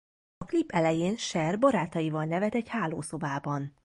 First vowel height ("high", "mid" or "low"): low